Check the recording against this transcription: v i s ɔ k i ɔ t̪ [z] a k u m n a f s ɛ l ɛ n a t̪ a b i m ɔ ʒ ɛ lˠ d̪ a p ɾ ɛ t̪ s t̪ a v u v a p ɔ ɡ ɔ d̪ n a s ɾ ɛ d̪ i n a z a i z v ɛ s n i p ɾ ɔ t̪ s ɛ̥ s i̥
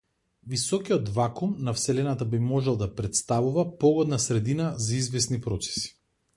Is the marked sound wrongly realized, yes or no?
yes